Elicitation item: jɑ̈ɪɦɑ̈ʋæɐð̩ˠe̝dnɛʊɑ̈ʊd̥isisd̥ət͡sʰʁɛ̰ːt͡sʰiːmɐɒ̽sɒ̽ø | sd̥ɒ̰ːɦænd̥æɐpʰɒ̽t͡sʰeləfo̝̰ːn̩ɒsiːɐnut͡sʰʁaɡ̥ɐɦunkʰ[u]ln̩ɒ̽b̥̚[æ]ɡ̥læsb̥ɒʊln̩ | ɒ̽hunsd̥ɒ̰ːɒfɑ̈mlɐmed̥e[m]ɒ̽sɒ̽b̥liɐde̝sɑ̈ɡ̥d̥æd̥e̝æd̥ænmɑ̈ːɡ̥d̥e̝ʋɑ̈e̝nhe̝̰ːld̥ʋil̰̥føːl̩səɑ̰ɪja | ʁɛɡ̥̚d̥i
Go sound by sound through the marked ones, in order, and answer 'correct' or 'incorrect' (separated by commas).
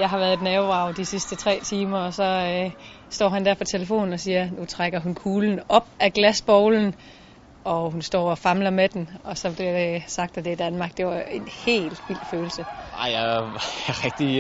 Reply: incorrect, correct, incorrect